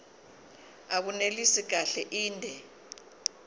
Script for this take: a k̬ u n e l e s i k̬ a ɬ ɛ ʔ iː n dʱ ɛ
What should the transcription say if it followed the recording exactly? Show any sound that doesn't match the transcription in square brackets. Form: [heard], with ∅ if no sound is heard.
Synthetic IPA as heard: a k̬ u n e l [i] s i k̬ a ɬ ɛ ʔ iː n dʱ ɛ